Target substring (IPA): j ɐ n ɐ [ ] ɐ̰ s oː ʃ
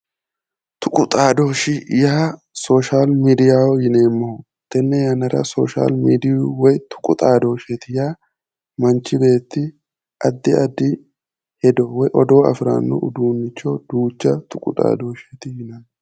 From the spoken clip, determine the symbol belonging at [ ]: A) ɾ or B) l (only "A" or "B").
A